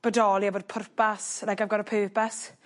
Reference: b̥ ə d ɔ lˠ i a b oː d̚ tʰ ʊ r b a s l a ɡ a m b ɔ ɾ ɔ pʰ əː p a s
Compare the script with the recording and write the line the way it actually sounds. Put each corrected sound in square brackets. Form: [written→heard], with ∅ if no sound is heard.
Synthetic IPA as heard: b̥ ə d ɔ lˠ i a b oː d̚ [tʰ→pʰ] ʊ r [b→p] a s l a ɡ a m [b→ɡ] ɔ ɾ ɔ pʰ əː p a s